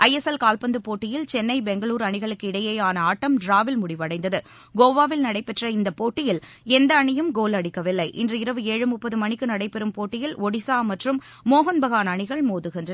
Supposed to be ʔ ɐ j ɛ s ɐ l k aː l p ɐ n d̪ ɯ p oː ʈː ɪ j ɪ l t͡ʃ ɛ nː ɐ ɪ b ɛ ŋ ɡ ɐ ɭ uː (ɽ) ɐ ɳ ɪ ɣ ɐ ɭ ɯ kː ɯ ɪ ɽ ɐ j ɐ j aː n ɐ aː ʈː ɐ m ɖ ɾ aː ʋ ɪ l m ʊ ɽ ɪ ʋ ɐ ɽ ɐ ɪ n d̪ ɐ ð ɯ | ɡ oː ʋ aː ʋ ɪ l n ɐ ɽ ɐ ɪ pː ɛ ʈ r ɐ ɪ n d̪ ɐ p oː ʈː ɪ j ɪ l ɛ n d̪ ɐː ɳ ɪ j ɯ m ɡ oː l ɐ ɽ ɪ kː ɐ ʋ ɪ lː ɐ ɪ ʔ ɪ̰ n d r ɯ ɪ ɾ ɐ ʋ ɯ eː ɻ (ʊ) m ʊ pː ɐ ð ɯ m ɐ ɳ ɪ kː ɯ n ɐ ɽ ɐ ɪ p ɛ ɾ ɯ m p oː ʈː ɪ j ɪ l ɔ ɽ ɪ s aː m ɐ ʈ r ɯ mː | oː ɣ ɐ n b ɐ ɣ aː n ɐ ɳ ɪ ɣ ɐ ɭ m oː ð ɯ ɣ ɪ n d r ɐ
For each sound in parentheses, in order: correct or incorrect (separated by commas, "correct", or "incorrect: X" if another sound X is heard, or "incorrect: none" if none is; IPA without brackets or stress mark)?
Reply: incorrect: ɾ, incorrect: ɯ